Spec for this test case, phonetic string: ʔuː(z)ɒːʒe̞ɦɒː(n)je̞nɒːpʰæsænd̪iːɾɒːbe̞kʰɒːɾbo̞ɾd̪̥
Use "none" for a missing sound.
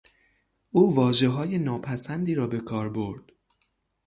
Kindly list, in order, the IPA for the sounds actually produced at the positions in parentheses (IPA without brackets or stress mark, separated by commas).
v, none